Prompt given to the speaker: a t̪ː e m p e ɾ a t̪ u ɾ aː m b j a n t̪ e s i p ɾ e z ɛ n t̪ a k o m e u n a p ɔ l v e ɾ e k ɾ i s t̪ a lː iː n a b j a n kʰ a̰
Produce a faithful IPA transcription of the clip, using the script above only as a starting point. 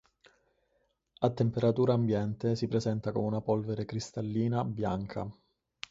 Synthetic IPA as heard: a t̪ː e m p e ɾ a t̪ uː ɾ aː m b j ɛ n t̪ e s i p ɾ e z ɛ n t̪ a k o m e u n a p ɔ l v e ɾ e k ɾ i s t̪ a lː iː n a b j a ŋ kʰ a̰